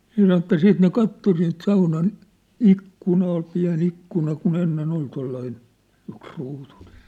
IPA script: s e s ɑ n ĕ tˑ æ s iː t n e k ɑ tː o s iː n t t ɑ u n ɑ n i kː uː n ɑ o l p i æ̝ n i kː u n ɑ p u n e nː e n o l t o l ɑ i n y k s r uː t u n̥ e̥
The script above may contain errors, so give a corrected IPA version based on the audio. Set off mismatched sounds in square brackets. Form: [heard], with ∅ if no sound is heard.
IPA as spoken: s e s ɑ n ĕ tˑ æ s iː t n e k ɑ tː o s iː n t [s] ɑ u n ɑ n i kː [u] n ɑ o l p i æ̝ n i kː u n ɑ [k] u n e nː e n o l t o [lː] ɑ i n y k s r uː t u n̥ e̥